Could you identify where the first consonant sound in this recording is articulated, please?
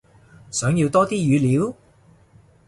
alveolar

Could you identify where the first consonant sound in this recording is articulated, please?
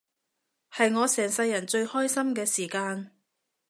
glottal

